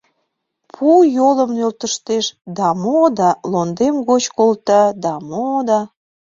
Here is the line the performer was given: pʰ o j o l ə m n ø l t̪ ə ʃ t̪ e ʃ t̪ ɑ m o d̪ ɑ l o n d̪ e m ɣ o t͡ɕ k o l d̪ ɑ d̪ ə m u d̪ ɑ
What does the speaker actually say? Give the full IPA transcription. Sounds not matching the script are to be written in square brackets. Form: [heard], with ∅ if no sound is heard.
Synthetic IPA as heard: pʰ [u] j o l ə m n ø l t̪ ə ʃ t̪ e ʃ [d̪] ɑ m o d̪ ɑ l o n d̪ e m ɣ o t͡ɕ k o l [t̪] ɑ d̪ [ɑ] m [o] d̪ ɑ